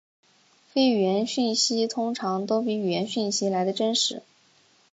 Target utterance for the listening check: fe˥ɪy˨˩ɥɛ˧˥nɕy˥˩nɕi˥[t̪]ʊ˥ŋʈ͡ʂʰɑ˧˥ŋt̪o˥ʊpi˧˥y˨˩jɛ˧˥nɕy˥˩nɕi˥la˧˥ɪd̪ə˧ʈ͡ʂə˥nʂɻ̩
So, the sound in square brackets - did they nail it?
no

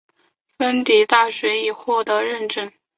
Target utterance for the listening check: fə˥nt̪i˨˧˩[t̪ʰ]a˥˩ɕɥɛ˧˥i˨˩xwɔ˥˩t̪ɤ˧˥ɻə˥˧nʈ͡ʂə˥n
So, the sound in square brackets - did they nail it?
no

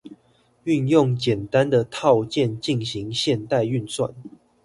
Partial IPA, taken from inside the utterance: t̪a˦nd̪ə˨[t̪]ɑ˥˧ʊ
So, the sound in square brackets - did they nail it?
no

